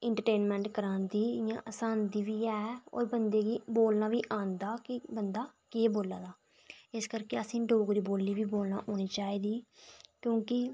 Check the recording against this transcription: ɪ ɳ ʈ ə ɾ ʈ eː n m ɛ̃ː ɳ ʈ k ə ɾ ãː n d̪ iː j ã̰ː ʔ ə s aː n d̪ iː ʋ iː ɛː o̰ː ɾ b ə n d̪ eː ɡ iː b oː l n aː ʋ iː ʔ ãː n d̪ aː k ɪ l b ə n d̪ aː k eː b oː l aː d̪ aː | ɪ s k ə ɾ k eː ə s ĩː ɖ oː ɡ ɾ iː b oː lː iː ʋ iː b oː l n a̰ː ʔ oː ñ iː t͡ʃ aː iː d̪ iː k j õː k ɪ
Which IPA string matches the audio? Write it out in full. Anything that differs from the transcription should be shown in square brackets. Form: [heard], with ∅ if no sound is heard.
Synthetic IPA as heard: ɪ ɳ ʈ ə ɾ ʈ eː n m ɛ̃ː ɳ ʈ k ə ɾ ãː n d̪ iː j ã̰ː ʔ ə s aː n d̪ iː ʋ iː ɛː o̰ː ɾ b ə n d̪ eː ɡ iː b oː l n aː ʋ iː ʔ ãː n d̪ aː k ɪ [∅] b ə n d̪ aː k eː b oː l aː d̪ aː | ɪ s k ə ɾ k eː ə s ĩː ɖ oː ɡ ɾ iː b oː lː iː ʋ iː b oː l n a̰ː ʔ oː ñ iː t͡ʃ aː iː d̪ iː k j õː k ɪ

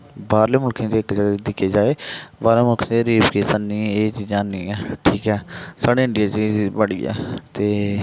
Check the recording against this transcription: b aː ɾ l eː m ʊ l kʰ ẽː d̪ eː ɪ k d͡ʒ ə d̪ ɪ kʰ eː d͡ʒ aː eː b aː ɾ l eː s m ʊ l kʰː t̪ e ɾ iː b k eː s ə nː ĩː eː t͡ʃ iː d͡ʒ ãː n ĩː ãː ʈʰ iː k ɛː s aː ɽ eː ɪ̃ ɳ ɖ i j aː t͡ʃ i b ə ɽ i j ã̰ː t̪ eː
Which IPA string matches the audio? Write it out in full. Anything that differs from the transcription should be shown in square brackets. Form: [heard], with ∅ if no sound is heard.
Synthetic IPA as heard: b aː ɾ l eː m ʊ l kʰ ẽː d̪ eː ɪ k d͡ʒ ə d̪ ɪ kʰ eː d͡ʒ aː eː b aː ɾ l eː [∅] m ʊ l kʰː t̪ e ɾ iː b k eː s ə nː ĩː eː t͡ʃ iː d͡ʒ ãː n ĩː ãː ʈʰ iː k ɛː s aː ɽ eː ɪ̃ ɳ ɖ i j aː t͡ʃ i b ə ɽ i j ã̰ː t̪ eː

